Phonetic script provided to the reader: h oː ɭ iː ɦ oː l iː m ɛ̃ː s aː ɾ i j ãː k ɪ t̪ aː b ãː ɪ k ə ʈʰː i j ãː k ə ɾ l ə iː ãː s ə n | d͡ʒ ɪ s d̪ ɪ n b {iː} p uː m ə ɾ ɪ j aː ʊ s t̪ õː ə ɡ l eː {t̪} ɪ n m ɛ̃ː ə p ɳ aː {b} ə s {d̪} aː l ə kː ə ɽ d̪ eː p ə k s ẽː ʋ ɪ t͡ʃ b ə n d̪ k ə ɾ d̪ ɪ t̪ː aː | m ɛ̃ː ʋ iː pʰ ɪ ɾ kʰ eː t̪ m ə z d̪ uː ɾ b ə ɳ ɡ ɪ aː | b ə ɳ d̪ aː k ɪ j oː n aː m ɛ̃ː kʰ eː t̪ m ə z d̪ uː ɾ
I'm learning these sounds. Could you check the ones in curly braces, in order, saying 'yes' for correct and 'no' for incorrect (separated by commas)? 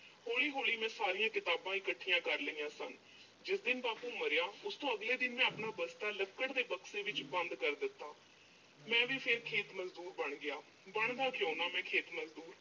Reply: no, no, yes, no